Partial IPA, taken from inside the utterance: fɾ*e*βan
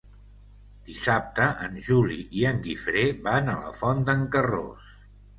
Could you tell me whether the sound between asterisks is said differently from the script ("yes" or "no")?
no